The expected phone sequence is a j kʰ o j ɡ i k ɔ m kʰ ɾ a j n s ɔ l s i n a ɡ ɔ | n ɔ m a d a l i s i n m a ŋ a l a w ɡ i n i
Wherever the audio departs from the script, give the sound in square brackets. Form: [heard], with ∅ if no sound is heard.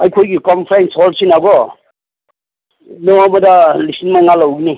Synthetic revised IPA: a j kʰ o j ɡ i k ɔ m [pʰ] ɾ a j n s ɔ l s i n a ɡ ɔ | n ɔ m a d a l i s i n m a ŋ a l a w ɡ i n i